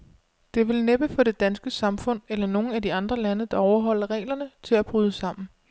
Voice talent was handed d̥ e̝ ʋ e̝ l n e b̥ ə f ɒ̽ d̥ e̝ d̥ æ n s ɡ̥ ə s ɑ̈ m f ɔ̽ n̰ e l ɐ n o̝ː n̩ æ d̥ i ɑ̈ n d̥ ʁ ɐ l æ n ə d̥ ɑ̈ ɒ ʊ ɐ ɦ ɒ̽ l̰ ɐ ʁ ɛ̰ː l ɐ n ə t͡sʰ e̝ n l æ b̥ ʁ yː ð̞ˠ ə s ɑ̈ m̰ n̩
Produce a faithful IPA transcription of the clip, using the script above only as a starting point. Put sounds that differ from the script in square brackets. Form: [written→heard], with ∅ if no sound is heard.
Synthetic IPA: d̥ e̝ ʋ e̝ l n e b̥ ə f ɒ̽ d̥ e̝ d̥ æ n s ɡ̥ ə s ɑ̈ m f ɔ̽ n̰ e l ɐ n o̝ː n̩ æ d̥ i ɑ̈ n d̥ ʁ ɐ l æ n ə d̥ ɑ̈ ɒ ʊ ɐ ɦ ɒ̽ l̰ ɐ ʁ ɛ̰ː l ɐ n ə t͡sʰ e̝ [n→∅] l æ b̥ ʁ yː ð̞ˠ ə s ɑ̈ m̰ n̩